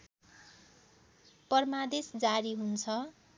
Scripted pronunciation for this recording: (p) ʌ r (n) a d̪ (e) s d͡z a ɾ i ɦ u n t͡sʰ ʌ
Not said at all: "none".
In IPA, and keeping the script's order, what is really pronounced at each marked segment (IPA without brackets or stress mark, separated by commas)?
p, m, e